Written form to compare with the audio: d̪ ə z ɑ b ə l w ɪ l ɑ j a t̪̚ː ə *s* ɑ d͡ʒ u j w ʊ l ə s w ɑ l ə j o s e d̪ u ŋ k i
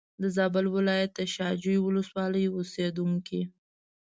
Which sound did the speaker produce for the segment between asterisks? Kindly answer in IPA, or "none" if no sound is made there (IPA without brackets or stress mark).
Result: ʃ